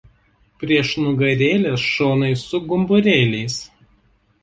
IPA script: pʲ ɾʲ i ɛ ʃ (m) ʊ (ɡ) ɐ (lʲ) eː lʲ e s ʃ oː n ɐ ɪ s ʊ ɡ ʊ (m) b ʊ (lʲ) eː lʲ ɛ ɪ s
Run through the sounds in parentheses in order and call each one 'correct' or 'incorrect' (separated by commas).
incorrect, correct, incorrect, correct, incorrect